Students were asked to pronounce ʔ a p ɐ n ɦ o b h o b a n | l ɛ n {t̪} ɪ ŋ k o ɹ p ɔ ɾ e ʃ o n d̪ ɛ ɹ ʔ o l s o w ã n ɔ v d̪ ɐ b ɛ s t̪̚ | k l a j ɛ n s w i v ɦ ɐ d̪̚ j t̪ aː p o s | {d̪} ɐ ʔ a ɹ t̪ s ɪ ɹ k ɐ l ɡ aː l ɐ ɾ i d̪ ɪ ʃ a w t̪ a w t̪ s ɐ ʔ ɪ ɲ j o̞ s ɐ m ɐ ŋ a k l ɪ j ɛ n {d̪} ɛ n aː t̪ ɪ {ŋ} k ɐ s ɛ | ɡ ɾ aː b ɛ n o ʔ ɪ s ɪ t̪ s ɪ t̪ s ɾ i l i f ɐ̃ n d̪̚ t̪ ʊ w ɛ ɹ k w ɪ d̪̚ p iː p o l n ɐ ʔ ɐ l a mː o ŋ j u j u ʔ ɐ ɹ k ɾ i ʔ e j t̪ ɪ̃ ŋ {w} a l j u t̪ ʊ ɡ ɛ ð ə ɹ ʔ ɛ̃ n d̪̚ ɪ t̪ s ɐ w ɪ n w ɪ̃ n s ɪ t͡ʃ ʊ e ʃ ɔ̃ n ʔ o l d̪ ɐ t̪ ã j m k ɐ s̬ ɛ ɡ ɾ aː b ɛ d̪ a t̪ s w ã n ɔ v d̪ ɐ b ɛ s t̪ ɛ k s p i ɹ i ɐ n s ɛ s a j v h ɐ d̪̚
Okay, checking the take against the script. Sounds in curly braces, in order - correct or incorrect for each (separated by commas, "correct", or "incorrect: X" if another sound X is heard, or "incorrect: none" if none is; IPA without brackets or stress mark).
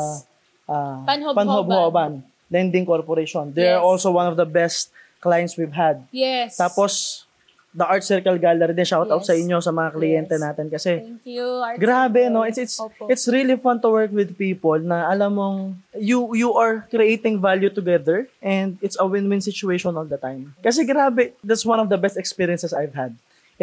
incorrect: d̪, correct, incorrect: t̪, incorrect: n, incorrect: v